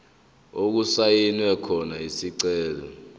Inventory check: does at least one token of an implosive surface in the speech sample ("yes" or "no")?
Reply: no